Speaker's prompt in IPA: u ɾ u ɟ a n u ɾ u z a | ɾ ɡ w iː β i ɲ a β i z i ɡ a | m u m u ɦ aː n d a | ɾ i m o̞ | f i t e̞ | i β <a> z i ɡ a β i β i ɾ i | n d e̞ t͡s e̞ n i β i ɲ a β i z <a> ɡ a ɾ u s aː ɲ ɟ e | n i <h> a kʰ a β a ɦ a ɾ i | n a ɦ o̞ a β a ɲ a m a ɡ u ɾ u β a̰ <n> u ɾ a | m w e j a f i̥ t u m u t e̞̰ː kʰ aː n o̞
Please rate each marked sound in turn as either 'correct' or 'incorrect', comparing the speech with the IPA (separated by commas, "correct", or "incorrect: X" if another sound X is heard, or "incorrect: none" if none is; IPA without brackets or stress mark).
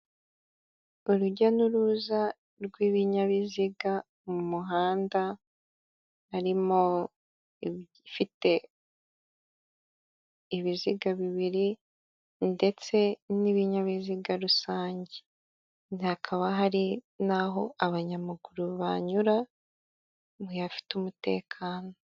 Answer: incorrect: i, incorrect: i, correct, incorrect: ɲ